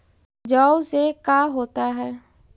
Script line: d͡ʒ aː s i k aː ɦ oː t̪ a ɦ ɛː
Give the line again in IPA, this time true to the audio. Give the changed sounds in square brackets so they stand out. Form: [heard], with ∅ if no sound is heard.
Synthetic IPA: d͡ʒ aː s [e] k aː ɦ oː t̪ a ɦ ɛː